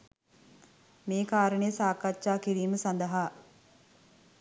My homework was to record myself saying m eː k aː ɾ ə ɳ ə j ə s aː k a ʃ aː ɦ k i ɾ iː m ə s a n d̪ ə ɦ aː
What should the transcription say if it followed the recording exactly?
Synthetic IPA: m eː k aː ɾ ə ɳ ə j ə s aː k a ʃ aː k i ɾ iː m ə s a n d̪ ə ɦ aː